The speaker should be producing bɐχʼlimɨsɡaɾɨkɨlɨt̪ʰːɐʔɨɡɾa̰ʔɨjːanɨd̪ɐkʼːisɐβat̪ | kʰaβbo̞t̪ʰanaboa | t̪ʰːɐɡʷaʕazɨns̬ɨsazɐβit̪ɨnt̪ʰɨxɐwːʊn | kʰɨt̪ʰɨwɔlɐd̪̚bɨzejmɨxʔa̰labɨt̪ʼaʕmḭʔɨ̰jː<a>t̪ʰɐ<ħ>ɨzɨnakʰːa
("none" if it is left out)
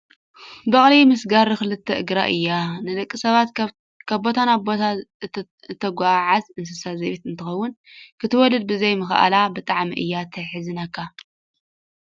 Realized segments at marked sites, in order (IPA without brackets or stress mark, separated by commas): a, ħ